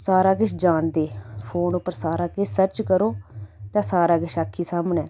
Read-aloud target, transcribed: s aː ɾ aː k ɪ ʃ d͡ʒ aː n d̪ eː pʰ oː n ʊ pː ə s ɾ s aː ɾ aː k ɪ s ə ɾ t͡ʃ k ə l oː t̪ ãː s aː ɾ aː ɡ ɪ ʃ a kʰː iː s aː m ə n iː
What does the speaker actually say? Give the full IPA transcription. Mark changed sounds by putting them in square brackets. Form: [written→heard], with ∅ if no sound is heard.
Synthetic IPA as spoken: s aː ɾ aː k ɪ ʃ d͡ʒ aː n d̪ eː pʰ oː n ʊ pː ə [s→∅] ɾ s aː ɾ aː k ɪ s ə ɾ t͡ʃ k ə [l→ɾ] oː t̪ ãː s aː ɾ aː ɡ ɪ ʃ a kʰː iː s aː m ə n [iː→ɛː]